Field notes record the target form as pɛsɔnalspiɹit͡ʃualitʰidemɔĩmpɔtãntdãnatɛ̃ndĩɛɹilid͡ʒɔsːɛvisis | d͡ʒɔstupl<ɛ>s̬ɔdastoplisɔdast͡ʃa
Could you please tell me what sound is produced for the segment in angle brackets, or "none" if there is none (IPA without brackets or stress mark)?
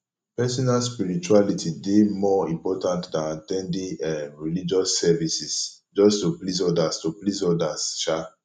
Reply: i